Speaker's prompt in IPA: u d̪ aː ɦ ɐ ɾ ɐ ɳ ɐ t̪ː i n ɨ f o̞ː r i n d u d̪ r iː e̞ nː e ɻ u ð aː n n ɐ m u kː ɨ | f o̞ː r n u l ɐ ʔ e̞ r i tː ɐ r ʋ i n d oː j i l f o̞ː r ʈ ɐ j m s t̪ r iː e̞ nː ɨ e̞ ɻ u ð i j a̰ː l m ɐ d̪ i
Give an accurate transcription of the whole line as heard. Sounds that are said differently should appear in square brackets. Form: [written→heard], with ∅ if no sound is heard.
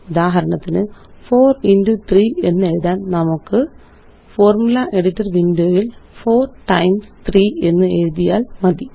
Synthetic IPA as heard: u d̪ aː ɦ ɐ ɾ ɐ ɳ ɐ t̪ː i n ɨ f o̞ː r i n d u [d̪→t̪] r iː e̞ nː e ɻ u ð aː n n ɐ m u kː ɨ | f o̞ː r [n→m] u l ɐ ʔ e̞ [r→ɽ] i tː ɐ r ʋ i n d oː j i l f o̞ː r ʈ ɐ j m s t̪ r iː e̞ nː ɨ e̞ ɻ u ð i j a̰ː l m ɐ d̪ i